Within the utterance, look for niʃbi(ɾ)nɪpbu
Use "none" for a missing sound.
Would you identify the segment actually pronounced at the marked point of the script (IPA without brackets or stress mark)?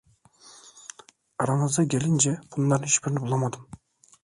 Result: ɾ